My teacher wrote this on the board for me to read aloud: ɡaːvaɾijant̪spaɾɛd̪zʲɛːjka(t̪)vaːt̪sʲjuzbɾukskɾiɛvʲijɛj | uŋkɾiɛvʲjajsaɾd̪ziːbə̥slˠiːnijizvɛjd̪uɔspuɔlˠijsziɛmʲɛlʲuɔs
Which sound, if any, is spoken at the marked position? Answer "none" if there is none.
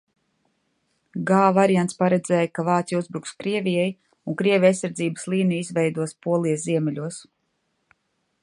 none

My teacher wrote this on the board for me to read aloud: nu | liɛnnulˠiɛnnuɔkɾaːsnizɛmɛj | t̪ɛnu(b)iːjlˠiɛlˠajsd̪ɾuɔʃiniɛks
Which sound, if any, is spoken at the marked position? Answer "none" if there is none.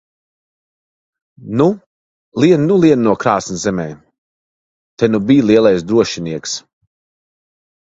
b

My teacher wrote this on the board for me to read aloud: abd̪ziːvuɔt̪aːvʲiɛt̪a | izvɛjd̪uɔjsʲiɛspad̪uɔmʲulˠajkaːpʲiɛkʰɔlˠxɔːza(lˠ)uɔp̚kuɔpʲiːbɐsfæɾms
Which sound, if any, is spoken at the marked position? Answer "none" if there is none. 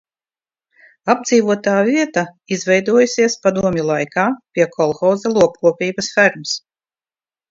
lˠ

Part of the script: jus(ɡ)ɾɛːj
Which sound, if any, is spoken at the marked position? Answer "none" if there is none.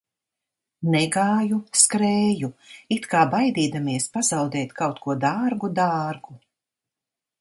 k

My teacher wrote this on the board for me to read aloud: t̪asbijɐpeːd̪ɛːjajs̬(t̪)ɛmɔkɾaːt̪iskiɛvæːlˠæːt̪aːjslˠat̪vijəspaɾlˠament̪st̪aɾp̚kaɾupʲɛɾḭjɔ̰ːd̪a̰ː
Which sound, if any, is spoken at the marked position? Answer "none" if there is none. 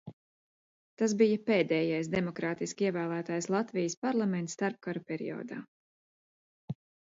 d̪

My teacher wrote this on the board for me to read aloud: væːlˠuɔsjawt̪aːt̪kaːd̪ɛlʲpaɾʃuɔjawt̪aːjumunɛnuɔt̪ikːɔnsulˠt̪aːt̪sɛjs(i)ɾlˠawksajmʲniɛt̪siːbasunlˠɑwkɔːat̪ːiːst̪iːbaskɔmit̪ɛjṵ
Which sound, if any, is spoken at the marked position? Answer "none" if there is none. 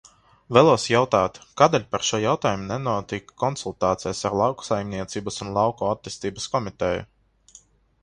a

